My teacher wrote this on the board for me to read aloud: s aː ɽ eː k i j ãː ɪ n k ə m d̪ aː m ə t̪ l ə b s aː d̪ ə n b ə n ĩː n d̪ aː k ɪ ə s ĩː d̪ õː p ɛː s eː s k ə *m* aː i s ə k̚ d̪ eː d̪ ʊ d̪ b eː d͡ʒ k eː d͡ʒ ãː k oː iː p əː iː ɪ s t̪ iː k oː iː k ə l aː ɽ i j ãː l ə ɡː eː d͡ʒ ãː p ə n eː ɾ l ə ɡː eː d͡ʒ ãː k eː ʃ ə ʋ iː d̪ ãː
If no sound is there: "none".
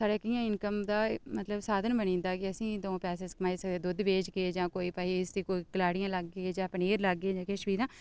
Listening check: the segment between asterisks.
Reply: m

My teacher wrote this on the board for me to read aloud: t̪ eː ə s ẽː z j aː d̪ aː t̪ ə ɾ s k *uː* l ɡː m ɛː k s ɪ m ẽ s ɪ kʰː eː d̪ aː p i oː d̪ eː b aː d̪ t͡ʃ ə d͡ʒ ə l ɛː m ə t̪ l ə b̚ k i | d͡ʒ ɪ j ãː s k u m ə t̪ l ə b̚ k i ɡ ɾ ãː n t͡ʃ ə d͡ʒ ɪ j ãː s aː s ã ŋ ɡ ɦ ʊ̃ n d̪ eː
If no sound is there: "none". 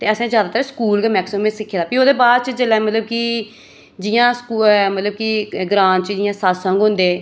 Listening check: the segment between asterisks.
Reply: uː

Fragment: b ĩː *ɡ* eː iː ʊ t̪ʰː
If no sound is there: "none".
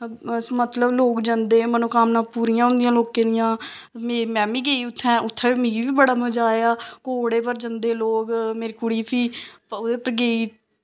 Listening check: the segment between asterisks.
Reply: ɡ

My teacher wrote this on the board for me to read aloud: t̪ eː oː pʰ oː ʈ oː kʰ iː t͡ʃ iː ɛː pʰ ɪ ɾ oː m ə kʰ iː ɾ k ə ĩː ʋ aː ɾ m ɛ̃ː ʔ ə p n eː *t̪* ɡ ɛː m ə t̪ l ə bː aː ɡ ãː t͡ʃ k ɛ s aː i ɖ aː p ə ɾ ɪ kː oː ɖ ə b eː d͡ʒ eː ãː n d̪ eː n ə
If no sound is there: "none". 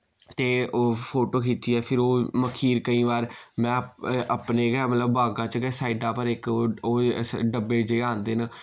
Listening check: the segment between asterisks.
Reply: none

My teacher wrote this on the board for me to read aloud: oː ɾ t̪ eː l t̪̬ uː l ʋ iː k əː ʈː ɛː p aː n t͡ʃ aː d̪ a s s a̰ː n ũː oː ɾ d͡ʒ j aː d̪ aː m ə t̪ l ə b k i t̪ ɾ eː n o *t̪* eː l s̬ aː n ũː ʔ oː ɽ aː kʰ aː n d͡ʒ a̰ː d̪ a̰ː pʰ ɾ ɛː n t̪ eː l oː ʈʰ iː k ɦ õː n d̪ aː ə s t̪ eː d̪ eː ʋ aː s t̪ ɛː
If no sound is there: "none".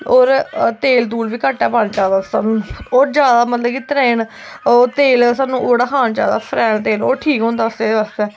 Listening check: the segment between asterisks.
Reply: t̪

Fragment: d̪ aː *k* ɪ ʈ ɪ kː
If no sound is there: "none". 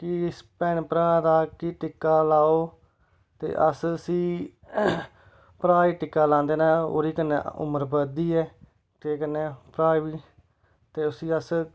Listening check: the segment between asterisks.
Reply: k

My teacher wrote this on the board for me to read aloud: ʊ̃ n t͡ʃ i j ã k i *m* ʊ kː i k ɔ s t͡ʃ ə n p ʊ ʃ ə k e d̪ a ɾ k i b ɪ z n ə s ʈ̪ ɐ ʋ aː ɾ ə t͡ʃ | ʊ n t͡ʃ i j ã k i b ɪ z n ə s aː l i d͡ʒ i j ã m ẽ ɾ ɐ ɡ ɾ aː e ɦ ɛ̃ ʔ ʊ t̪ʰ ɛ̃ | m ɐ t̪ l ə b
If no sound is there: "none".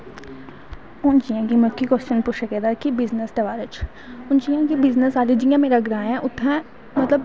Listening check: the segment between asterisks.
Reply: m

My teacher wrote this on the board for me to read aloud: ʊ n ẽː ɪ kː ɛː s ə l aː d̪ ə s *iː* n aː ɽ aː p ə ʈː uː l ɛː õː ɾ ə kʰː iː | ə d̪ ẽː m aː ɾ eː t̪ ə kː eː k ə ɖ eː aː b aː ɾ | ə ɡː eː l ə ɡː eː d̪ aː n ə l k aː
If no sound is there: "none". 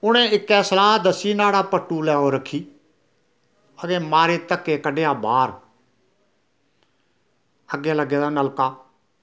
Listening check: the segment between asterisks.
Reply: iː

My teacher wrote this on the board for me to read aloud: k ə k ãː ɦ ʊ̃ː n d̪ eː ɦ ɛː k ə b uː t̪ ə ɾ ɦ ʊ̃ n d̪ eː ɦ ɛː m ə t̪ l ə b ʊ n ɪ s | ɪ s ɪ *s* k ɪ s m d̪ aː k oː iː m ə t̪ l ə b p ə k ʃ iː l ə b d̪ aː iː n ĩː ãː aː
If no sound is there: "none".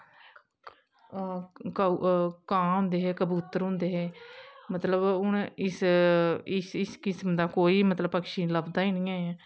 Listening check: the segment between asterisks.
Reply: s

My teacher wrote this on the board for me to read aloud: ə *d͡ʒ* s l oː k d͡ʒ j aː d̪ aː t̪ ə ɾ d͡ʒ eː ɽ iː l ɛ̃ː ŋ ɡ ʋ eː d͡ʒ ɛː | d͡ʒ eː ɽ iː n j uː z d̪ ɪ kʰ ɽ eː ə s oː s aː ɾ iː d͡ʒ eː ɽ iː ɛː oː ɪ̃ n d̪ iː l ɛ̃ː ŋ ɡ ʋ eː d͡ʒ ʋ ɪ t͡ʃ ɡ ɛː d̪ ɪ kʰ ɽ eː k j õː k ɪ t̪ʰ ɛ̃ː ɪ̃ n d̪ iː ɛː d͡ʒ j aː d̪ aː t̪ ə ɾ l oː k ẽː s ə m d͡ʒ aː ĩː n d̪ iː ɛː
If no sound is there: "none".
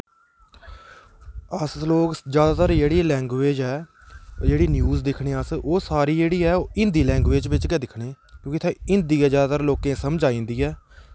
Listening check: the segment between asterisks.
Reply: none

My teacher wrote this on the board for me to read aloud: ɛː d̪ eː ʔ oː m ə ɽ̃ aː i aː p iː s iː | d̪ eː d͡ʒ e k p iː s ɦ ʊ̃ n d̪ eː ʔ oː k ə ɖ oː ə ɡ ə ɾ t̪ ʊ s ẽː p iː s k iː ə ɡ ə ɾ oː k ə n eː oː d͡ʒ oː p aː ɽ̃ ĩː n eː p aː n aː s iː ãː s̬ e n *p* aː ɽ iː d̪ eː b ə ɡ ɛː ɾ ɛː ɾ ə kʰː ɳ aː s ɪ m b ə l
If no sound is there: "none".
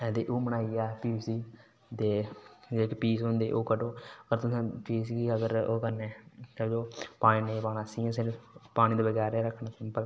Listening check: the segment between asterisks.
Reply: p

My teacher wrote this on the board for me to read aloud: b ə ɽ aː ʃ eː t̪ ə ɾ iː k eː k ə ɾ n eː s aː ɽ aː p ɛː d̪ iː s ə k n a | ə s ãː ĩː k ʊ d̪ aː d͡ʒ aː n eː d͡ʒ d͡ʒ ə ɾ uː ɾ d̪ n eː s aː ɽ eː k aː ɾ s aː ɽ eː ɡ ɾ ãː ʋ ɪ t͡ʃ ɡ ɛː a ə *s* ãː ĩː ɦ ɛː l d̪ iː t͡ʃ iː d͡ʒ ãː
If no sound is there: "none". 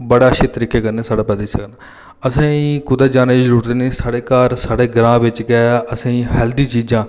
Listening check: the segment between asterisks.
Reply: s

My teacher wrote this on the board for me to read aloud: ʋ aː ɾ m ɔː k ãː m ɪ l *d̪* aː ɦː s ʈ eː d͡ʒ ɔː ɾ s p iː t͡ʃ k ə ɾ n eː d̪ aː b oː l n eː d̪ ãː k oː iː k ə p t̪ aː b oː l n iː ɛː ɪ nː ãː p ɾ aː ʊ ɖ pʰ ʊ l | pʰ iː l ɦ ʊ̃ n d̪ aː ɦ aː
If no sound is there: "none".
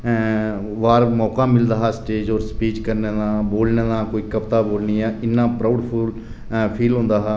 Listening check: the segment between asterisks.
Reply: d̪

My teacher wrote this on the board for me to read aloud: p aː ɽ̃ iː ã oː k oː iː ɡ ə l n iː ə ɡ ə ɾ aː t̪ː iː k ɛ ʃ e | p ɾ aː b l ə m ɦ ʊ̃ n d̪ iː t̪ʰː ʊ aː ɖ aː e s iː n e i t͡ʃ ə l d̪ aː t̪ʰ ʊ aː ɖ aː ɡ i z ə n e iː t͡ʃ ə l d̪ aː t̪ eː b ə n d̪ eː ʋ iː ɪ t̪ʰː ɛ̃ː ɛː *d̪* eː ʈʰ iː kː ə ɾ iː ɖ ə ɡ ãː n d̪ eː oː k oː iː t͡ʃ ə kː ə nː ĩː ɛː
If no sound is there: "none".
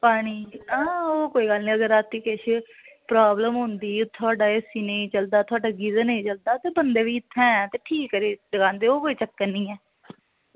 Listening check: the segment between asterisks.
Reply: t̪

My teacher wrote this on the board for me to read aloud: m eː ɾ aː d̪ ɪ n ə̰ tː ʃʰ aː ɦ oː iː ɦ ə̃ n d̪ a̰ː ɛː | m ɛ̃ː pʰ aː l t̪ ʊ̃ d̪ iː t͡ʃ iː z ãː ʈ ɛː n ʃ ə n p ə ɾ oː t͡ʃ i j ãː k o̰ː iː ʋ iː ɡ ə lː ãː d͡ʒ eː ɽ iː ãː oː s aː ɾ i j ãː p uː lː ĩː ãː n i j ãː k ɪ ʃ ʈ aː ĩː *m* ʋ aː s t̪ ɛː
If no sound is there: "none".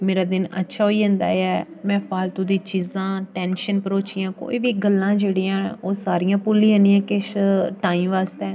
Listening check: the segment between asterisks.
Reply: m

